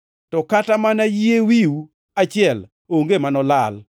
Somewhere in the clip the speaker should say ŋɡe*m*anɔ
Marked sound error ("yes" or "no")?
no